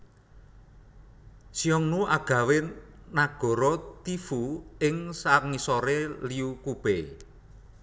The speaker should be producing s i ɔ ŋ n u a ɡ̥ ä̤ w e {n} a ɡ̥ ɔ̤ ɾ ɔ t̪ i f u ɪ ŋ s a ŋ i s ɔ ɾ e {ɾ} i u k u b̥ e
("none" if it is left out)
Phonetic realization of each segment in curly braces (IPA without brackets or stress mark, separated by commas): n, l